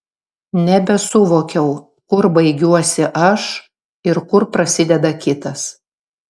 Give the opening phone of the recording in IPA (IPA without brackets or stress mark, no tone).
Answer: nʲ